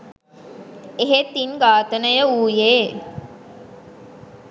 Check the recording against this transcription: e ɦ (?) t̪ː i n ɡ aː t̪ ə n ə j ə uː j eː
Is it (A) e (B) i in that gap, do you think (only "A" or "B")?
A